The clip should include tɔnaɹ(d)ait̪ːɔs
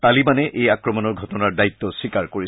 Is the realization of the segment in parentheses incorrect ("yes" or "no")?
no